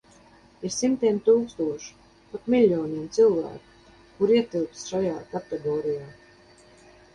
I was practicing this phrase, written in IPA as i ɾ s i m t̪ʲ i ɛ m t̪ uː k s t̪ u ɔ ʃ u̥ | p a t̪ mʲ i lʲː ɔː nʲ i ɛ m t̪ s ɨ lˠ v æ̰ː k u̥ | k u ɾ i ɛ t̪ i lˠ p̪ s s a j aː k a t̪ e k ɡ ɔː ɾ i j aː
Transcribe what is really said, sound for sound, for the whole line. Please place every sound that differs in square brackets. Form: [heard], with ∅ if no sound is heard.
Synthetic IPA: i ɾ s i m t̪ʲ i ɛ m t̪ uː k s t̪ u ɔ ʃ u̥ | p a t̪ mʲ i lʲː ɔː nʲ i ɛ m t̪ s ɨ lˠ v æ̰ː k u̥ | k u ɾ i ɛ t̪ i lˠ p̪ s [ʃ] a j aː k a t̪ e [∅] ɡ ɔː ɾ i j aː